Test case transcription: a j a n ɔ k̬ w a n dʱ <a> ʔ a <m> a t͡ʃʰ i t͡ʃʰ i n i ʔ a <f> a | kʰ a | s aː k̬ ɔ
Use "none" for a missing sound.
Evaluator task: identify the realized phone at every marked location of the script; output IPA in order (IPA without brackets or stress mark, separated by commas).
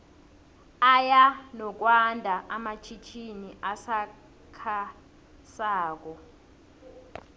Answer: a, m, s